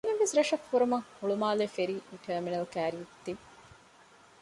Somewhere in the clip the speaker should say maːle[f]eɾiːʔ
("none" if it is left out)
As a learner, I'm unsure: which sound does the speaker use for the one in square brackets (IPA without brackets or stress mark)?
f